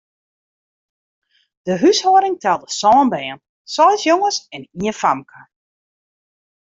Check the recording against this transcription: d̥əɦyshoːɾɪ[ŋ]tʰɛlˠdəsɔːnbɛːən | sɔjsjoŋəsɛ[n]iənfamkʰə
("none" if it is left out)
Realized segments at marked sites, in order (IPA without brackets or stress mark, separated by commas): ŋ, n